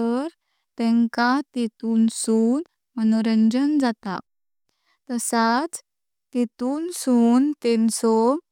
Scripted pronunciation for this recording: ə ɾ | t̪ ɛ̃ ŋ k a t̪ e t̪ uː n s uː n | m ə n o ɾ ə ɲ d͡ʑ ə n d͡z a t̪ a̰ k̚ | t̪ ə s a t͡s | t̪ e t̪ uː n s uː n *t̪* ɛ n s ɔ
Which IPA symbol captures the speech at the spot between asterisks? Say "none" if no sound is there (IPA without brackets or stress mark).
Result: t̪